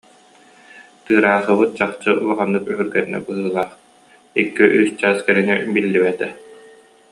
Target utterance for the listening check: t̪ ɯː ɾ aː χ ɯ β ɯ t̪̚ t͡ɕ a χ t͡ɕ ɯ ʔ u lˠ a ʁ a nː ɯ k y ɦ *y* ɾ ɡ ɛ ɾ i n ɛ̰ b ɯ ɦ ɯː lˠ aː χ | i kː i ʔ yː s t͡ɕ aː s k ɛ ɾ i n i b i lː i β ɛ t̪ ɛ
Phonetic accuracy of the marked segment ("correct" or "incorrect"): correct